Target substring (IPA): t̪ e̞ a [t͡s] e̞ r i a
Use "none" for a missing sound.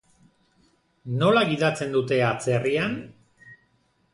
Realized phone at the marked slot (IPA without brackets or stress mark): t͡s